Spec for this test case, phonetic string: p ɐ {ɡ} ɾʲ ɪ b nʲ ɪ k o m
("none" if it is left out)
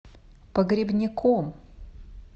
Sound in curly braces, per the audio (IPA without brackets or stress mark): ɡ